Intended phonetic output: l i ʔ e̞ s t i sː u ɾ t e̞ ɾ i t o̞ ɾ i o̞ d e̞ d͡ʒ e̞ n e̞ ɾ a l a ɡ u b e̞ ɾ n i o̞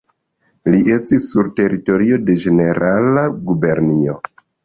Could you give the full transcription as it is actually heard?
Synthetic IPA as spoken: l i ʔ e̞ s t i sː u ɾ t e̞ ɾ i t o̞ ɾ i o̞ d e̞ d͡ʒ e̞ n e̞ ɾ a l a ɡ u b e̞ ɾ n i o̞

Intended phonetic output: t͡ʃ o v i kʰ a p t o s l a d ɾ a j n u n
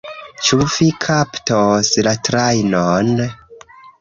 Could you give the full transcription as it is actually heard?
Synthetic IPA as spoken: t͡ʃ u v i kʰ a p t o s l a t ɾ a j n o n

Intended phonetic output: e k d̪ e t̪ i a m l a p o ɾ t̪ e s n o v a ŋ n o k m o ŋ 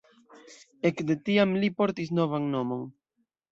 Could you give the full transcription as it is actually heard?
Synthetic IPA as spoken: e k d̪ e t̪ i a m l i p o ɾ t̪ i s n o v a ŋ n o m o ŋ

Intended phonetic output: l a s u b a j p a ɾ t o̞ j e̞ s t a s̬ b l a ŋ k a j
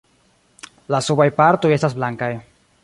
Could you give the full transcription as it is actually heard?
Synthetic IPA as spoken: l a s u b a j p a ɾ t o̞ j e̞ s t a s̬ b l a ŋ k a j

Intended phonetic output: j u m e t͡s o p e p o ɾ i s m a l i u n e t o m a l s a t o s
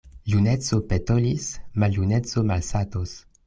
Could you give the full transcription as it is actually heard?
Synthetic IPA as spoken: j u n e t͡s o p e t o l i s m a l j u n e t͡s o m a l s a t o s

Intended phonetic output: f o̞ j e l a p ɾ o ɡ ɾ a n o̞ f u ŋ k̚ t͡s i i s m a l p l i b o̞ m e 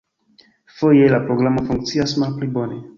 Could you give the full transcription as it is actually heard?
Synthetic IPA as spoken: f o̞ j e l a p ɾ o ɡ ɾ a m o̞ f u ŋ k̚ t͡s i a s m a l p l i b o̞ n e

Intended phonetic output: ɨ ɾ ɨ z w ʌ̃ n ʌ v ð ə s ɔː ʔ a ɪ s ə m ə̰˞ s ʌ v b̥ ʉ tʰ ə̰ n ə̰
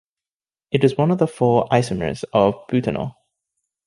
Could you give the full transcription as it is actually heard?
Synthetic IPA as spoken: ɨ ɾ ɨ z w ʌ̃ n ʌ v ð ə f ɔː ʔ a ɪ s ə m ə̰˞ z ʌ v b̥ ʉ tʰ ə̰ n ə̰

